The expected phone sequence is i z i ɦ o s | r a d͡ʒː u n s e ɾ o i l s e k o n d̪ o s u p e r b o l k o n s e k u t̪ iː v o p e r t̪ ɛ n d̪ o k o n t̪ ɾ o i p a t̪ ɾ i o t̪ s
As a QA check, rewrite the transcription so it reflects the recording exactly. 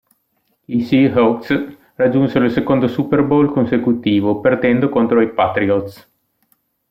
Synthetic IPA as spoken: i s i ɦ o s | r a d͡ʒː u n s e ɾ o i l s e k o n d̪ o s u p e r b o l k o n s e k u t̪ iː v o p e r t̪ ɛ n d̪ o k o n t̪ ɾ o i p a t̪ ɾ i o t̪ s